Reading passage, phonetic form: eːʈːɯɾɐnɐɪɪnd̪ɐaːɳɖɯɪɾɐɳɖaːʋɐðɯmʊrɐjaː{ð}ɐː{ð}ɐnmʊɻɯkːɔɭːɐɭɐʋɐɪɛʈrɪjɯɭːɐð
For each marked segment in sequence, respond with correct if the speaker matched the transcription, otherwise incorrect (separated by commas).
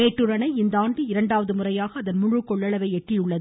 incorrect, correct